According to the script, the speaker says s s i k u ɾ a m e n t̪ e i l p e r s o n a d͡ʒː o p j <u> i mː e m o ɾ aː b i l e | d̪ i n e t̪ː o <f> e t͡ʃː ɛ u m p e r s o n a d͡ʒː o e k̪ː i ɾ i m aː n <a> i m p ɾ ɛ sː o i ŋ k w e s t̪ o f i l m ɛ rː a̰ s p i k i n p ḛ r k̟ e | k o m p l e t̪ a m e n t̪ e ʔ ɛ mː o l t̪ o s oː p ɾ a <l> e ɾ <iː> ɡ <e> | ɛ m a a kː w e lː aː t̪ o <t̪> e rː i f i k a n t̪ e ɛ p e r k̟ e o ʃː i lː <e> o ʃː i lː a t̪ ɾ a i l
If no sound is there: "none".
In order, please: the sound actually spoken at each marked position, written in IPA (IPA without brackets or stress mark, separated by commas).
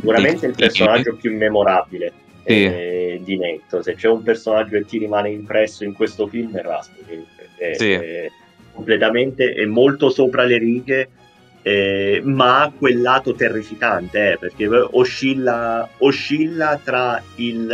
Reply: u, s, e, l, iː, e, t̪, a